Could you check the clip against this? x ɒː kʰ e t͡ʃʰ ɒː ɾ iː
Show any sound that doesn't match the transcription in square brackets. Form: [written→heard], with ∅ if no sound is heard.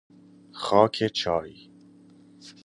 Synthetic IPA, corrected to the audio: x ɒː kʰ e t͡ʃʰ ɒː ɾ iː